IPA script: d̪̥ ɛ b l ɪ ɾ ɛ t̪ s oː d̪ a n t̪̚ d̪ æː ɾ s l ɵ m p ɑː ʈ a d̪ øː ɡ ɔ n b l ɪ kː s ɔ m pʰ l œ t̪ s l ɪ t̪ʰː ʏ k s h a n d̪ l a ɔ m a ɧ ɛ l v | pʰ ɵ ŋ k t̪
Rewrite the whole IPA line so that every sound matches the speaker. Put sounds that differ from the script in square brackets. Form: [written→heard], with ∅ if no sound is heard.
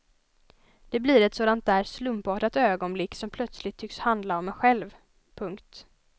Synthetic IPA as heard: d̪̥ ɛ b l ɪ ɾ ɛ t̪ s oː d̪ a n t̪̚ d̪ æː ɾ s l ɵ m p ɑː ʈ a [d̪→t̪] øː ɡ ɔ n b l ɪ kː s ɔ m pʰ l œ t̪ s l ɪ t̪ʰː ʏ k s h a n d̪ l a ɔ m [a→ɛ] ɧ ɛ l v | pʰ ɵ ŋ k t̪